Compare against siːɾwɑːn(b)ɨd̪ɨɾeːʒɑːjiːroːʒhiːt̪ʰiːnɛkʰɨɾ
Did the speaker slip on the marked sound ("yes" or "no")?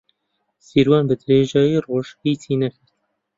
no